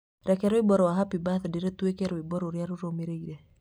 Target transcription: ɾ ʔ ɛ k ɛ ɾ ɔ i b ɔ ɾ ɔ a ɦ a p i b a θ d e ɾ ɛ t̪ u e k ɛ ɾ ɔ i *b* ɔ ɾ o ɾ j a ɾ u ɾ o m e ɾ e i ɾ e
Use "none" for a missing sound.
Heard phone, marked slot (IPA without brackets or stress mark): b